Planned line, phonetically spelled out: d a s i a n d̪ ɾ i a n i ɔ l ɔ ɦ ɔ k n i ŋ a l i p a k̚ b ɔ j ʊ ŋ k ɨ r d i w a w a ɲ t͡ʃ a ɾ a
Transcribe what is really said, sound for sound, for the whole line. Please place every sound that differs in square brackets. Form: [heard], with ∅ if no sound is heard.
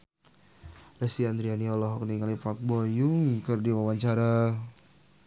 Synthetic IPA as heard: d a s i a n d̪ ɾ i a n i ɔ l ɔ ɦ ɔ k n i ŋ a l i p a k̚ b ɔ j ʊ ŋ k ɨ r d i w a w a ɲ t͡ʃ a ɾ a